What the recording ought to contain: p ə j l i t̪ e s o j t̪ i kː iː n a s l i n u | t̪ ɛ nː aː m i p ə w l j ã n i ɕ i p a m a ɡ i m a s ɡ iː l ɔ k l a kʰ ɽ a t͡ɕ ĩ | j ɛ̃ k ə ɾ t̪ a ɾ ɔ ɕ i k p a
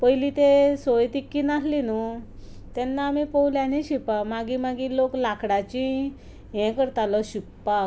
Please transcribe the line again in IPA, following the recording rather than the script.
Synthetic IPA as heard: p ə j l i t̪ e s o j t̪ i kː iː n a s l i n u | t̪ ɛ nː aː m i p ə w l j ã n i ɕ i p a m a ɡ i m a ɡ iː l o k l a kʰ ɽ a t͡ɕ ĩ | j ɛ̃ k ə ɾ t̪ a l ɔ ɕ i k p a